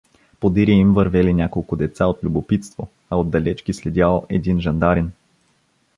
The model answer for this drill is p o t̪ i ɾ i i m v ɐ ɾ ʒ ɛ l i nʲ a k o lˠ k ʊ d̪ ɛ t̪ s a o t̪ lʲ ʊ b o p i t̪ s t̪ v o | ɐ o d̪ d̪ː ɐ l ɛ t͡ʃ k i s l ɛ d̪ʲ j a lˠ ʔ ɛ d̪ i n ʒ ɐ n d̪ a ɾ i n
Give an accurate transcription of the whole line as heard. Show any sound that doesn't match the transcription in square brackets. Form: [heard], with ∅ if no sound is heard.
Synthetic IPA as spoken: p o [d̪] i ɾ i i m v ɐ ɾ [v] ɛ l i nʲ a k o lˠ k ʊ d̪ ɛ t̪ s a o t̪ lʲ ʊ b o p i t̪ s t̪ v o | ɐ o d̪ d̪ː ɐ l ɛ t͡ʃ k i s l ɛ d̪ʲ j a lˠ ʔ ɛ d̪ i n ʒ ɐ n d̪ a ɾ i n